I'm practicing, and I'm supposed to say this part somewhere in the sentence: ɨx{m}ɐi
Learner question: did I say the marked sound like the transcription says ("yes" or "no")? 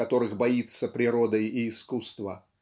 no